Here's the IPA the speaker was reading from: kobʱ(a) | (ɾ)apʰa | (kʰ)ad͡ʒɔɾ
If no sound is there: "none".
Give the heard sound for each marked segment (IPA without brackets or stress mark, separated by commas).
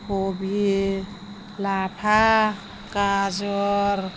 i, l, k